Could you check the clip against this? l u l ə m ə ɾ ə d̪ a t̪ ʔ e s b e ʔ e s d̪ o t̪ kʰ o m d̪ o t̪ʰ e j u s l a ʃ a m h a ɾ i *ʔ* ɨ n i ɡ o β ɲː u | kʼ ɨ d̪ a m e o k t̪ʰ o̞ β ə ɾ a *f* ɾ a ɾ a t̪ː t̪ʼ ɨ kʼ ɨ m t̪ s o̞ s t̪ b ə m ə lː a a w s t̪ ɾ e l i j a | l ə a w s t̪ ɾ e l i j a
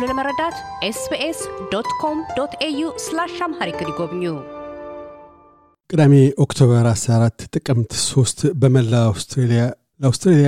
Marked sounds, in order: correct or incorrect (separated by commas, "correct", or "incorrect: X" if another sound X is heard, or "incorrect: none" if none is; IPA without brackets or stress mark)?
incorrect: k, incorrect: s